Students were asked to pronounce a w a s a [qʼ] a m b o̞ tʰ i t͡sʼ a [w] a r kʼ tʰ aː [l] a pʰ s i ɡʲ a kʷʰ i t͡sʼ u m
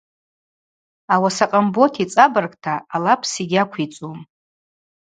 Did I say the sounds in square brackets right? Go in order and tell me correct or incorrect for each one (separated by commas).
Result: correct, incorrect, correct